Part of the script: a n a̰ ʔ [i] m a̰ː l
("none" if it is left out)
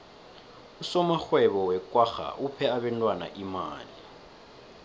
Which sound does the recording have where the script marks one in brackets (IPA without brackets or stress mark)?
i